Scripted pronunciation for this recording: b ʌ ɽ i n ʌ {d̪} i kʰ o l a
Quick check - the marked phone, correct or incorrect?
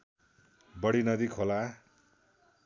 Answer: correct